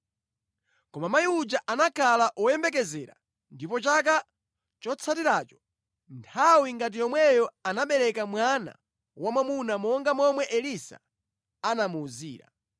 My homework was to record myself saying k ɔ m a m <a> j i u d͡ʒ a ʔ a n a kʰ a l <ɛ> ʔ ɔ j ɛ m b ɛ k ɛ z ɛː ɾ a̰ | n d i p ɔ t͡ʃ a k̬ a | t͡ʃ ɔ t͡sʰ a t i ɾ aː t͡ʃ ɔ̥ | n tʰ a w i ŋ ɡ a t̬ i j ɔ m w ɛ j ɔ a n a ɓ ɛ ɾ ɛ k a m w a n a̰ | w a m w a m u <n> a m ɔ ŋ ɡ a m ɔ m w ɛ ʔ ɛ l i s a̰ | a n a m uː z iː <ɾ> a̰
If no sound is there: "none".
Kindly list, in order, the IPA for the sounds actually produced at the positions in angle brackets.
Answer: a, a, n, ɾ

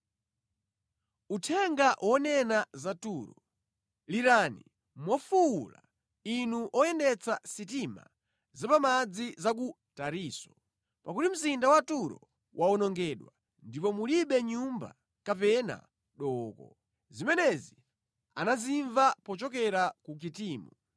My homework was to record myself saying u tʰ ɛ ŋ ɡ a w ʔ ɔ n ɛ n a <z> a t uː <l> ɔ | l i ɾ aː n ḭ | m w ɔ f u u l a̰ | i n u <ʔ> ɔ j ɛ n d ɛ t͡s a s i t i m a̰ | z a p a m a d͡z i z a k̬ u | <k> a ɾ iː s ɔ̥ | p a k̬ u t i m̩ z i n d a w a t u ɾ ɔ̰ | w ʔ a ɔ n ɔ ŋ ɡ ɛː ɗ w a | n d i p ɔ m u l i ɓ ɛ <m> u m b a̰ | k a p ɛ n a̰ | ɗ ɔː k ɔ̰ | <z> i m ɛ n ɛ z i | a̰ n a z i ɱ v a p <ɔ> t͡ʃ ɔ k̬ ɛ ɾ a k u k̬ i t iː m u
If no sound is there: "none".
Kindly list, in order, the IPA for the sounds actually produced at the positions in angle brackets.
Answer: z, ɾ, ʔ, t, ɲ, z, ɔ

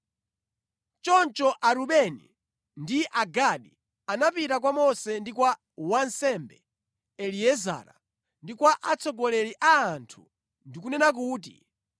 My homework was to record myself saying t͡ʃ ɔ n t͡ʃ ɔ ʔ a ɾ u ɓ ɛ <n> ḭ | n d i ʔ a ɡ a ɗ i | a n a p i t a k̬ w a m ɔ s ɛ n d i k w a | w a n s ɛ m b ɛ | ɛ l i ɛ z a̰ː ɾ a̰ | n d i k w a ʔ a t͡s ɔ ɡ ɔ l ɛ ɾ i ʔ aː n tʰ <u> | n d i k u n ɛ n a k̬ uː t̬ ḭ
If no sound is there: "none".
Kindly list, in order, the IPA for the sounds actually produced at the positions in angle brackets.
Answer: n, u

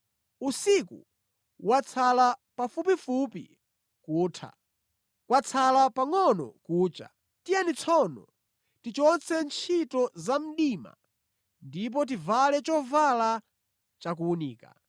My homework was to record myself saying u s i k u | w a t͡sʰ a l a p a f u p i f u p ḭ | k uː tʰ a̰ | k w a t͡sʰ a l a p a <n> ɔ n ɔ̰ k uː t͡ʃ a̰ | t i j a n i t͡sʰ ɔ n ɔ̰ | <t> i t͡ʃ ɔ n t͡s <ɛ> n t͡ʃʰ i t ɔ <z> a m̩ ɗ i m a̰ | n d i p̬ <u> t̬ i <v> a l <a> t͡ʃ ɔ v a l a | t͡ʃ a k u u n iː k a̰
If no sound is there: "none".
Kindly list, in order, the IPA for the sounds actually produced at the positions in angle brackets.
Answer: ŋ, t, ɛ, z, ɔ, v, ɛ

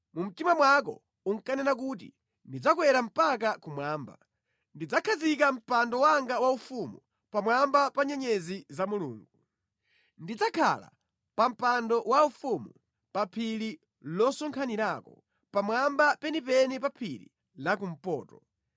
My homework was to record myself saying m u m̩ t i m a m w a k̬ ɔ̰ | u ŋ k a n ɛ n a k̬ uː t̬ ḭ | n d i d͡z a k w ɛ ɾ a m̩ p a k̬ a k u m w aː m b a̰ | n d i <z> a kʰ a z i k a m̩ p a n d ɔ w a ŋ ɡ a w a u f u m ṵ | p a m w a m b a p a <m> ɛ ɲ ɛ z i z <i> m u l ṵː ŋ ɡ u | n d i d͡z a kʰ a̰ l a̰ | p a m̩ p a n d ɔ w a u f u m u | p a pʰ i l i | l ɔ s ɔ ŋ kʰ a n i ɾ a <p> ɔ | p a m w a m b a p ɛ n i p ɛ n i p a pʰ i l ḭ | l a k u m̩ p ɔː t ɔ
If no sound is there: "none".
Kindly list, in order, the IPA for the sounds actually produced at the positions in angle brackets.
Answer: d͡z, ɲ, a, k

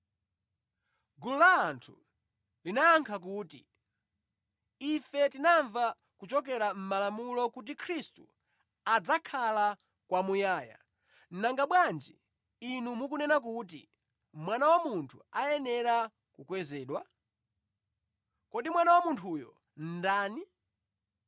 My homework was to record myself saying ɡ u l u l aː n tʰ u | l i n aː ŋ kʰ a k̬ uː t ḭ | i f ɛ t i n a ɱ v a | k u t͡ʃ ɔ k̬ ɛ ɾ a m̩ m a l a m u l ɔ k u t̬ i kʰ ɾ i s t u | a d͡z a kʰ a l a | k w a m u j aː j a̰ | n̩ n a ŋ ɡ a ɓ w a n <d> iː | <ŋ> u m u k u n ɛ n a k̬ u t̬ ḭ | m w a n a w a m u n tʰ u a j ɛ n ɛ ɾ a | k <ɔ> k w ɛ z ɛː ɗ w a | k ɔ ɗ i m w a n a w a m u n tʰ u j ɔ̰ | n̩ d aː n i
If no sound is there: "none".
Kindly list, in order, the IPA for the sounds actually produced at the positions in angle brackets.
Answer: d͡ʒ, n, u

